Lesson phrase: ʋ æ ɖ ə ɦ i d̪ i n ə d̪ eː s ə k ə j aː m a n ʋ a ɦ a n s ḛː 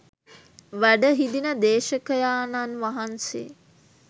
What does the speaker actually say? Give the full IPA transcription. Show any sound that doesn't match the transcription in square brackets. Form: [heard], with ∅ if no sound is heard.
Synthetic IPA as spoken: ʋ æ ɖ ə ɦ i d̪ i n ə d̪ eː [ʃ] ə k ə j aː [n] a n ʋ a ɦ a n s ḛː